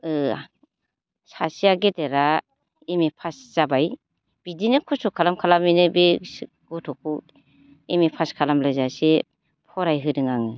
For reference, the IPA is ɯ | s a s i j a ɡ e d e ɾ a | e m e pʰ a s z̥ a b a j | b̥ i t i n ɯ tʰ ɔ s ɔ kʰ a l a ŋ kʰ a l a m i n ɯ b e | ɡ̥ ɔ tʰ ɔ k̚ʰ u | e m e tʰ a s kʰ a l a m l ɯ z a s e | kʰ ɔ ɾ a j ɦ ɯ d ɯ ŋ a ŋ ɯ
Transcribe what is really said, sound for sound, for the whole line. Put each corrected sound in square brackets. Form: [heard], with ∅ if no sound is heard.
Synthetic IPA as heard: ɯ | s a s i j a ɡ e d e ɾ a | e m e pʰ a s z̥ a b a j | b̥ i [d] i n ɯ [kʰ] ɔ s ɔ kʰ a l a [m] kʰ a l a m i n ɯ b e | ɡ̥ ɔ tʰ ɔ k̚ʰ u | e m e [pʰ] a s kʰ a l a m l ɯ z a s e | [pʰ] ɔ ɾ a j ɦ ɯ d ɯ ŋ a ŋ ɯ

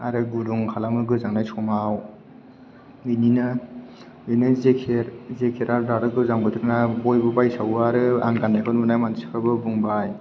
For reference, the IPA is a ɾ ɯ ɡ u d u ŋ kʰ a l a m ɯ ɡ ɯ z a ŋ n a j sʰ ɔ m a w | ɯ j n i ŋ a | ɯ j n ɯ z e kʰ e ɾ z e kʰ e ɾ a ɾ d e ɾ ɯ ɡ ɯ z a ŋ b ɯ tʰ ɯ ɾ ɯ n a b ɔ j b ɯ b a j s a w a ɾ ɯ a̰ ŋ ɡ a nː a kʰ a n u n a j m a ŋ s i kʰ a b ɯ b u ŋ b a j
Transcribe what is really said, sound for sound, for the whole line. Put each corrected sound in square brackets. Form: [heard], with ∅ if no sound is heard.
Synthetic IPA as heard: a ɾ ɯ ɡ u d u ŋ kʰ a l a m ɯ ɡ ɯ z a ŋ n a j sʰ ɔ m a w | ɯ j n i [n] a | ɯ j n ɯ z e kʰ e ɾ z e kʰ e ɾ a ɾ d [a] ɾ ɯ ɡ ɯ z a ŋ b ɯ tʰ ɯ ɾ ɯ n a b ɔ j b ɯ b a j s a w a ɾ ɯ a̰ ŋ ɡ a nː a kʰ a n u n a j m a [n] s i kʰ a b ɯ b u ŋ b a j

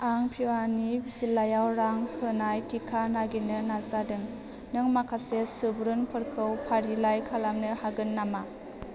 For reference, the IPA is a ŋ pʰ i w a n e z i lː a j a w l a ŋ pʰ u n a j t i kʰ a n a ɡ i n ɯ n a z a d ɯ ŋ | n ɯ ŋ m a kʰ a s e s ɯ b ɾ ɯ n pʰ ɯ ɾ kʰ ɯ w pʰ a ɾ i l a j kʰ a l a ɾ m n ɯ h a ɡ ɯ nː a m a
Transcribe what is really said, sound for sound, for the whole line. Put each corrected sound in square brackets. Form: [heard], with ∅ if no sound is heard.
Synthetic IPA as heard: a ŋ pʰ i w a n [i] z i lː a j a w [ɾ] a ŋ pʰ [ɯ] n a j t i kʰ a n a ɡ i n ɯ n a z a d ɯ ŋ | n ɯ ŋ m a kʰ a s e s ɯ b ɾ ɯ n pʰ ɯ ɾ kʰ ɯ w pʰ a ɾ i l a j kʰ a l a [∅] m n ɯ h a ɡ ɯ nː a m a

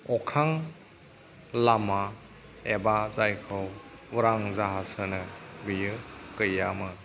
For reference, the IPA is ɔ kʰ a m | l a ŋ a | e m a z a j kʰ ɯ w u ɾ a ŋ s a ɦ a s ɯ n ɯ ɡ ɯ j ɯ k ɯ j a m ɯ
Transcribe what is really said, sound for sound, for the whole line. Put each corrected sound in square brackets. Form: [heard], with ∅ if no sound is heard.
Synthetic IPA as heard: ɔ kʰ a [ŋ] | l a [m] a | e [b] a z a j kʰ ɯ w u ɾ a ŋ [z] a ɦ a s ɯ n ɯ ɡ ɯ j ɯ k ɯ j a m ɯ

